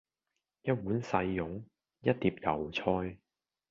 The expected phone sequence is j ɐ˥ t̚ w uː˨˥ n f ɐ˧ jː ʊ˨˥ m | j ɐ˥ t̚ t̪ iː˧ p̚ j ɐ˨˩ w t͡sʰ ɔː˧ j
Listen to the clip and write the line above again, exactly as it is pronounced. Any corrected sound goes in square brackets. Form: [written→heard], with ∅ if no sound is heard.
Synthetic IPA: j ɐ˥ t̚ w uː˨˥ n [f→s] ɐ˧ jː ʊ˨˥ [m→ŋ] | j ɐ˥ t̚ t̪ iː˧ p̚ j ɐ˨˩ w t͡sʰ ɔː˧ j